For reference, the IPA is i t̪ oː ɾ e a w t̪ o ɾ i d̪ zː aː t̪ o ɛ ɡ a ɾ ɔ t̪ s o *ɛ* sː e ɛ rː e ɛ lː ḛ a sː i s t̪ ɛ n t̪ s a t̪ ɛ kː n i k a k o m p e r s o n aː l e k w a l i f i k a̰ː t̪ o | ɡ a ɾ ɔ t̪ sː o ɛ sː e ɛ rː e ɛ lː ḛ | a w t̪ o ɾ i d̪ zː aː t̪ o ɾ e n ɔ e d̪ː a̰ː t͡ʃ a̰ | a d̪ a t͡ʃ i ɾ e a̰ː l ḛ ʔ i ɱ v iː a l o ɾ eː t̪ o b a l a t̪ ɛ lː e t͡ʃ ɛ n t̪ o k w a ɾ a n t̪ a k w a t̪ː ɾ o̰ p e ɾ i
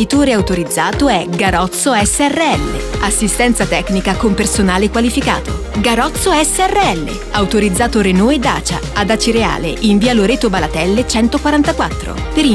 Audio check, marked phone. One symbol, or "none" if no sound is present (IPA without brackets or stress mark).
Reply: ɛ